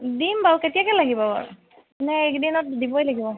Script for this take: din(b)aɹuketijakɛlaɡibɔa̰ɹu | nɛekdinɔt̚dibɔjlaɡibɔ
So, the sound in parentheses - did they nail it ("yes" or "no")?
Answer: yes